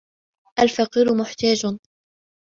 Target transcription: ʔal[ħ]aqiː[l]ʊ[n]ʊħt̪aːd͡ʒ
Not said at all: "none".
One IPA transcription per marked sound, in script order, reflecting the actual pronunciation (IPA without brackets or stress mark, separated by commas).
f, ɾ, m